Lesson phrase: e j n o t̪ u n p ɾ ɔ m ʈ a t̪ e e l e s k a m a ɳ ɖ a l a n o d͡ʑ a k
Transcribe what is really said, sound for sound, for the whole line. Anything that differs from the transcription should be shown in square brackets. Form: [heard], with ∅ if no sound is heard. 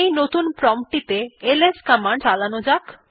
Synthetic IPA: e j n o t̪ u n p ɾ ɔ m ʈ [i] t̪ e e l e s k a m a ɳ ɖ a l a n o d͡ʑ a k

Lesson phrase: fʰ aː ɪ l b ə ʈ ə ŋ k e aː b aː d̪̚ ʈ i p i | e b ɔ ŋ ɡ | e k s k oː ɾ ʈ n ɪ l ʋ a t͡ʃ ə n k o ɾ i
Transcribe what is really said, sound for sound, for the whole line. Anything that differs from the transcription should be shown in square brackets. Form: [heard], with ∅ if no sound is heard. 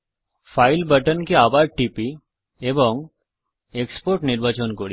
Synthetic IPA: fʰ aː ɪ l b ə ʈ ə [n] k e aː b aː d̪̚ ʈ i p i | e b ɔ ŋ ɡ | e k s [p] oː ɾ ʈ n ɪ [ɾ] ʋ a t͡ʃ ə n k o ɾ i

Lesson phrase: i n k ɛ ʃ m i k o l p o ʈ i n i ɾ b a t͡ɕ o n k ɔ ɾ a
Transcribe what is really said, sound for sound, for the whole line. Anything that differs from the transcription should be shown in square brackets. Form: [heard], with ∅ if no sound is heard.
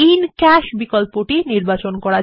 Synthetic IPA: i n k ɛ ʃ [b] i k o l p o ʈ i n i ɾ b a t͡ɕ o n k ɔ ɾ a

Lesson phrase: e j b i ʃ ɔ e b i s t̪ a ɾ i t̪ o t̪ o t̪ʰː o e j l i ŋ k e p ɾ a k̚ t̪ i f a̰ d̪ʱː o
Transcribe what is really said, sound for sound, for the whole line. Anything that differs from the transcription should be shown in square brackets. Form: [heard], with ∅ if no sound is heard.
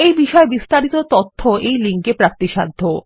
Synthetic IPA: e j b i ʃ ɔ e b i s t̪ a ɾ i t̪ o t̪ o t̪ʰː o e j l i ŋ k e p ɾ a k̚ t̪ i [ʃ] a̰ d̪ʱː o

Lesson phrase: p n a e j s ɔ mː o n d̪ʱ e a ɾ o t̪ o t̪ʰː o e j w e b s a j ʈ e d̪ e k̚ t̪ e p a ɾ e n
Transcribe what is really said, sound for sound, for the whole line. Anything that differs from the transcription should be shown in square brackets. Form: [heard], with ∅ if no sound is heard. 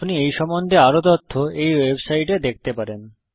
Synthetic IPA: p n [i] e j [ʃ] ɔ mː o n d̪ʱ e a ɾ o t̪ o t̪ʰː o e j w e b s a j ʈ e d̪ e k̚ t̪ e p a ɾ e n

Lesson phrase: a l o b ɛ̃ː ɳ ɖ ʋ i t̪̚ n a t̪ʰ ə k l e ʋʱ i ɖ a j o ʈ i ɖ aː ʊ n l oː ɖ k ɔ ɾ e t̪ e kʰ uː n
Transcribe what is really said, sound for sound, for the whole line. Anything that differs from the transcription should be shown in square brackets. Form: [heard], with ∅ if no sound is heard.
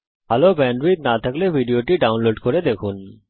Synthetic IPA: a l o b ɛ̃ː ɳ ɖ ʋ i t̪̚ n a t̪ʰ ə k l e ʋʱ i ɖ [i] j o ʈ i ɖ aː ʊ n l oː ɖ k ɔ ɾ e [d̪] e kʰ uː n

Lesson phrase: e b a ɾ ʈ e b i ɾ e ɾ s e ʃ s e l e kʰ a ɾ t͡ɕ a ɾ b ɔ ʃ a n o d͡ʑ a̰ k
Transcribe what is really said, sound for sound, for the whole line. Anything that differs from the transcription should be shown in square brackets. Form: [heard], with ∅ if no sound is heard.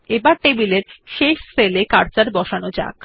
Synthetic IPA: e b a ɾ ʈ e b i [l] e ɾ [ʃ] e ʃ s e l e [k] a ɾ t͡ɕ a ɾ b ɔ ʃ a n o d͡ʑ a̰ k

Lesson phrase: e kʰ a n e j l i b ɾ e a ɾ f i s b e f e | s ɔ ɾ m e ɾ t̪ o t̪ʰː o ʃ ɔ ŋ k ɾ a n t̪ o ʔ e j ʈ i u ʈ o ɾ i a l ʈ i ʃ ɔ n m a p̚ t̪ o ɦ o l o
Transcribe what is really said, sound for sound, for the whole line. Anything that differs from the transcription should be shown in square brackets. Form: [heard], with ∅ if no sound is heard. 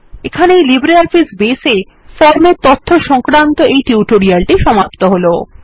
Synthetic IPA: e kʰ a n e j l i b ɾ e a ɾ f i s b e [s] e | [f] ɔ ɾ m e ɾ t̪ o t̪ʰː o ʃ ɔ ŋ k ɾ a n t̪ o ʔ e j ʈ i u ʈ o ɾ i a l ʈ i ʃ ɔ [∅] m a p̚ t̪ o ɦ o l o

